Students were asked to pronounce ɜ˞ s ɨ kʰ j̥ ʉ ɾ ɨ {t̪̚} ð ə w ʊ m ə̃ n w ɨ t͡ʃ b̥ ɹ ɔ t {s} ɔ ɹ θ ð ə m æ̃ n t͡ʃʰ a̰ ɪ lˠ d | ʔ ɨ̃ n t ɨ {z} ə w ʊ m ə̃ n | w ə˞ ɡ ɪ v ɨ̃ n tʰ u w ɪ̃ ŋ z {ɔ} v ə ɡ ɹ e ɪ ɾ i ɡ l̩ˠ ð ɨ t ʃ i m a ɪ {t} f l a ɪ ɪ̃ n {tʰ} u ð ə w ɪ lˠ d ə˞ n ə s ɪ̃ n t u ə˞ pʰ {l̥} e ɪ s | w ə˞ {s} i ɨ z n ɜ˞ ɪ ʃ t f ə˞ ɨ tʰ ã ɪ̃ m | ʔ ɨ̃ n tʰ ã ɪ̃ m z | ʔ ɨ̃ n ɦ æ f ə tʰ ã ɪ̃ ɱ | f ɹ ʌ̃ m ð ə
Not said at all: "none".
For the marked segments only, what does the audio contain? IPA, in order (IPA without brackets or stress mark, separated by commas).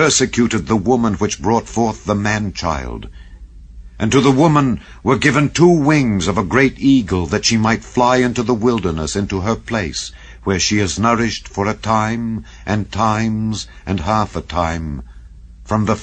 d̪̚, f, ð, ʌ, t, t, l̥, ʃ